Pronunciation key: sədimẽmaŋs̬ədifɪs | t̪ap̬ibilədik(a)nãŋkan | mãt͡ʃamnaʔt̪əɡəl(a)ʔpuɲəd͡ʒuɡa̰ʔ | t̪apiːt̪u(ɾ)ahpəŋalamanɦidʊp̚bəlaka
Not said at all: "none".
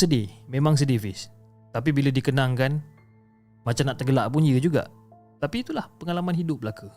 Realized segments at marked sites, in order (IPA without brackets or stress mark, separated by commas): ə, a, l